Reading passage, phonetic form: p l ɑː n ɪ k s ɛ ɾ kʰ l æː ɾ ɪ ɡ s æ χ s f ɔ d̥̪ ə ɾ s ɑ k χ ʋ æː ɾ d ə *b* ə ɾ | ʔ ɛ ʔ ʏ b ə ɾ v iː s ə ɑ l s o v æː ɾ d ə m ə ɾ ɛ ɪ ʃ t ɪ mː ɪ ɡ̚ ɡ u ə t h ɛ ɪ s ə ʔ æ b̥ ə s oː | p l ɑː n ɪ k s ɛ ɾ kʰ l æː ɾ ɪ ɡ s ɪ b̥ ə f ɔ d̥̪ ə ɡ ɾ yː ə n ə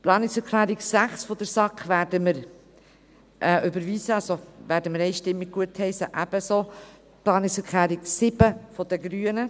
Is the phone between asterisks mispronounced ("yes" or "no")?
yes